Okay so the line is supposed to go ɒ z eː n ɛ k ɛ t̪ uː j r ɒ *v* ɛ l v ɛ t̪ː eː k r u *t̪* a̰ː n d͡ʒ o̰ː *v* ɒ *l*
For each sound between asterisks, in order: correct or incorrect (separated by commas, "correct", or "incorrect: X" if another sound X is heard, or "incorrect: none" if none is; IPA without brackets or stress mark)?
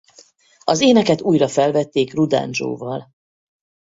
incorrect: f, incorrect: d̪, correct, correct